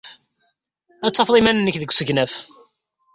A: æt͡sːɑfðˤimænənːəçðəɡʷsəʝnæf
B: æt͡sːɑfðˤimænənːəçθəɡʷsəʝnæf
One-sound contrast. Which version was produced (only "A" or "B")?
A